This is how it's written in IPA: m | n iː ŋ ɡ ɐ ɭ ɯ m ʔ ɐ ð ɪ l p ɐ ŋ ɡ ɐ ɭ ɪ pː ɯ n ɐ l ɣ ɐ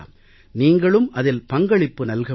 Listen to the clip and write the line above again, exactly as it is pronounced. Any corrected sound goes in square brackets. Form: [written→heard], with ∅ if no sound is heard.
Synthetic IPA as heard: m | n iː ŋ ɡ ɐ ɭ ɯ m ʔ ɐ ð ɪ l p ɐ ŋ ɡ ɐ ɭ ɪ pː ɯ n ɐ l ɣ ɐ